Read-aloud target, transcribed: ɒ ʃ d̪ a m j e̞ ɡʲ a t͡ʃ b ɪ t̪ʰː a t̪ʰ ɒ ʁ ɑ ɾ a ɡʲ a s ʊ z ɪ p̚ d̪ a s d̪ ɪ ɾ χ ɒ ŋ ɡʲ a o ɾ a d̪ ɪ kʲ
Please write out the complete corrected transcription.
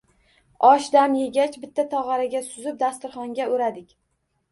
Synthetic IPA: ɒ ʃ d̪ a m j e̞ ɡʲ a t͡ʃ b ɪ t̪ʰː a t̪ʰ ɒ ʁ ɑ ɾ a ɡʲ a s ʊ z ɪ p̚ d̪ a s t̪ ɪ ɾ χ ɒ ŋ ɡʲ a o ɾ a d̪ ɪ kʲ